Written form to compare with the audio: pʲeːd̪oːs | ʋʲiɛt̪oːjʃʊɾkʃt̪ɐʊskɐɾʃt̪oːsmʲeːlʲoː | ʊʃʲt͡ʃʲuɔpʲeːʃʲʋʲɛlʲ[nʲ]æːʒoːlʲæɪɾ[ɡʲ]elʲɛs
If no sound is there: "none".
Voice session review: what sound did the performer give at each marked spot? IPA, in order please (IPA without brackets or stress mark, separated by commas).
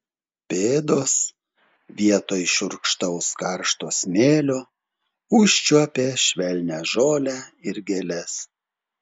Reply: nʲ, ɡʲ